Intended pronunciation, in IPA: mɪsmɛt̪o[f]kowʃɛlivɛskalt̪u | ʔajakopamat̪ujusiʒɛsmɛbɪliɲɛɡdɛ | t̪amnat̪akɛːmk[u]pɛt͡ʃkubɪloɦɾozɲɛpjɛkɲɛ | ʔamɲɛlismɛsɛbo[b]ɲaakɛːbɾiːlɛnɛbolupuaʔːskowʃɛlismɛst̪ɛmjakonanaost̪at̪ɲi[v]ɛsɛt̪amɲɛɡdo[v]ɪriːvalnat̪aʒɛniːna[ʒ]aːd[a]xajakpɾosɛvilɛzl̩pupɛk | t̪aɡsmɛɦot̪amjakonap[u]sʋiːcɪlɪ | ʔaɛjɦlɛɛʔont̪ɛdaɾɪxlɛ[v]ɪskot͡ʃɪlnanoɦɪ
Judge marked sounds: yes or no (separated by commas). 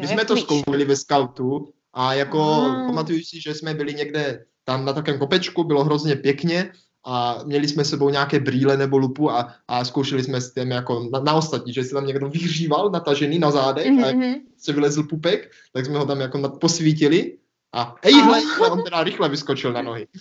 no, no, no, no, yes, no, no, no, yes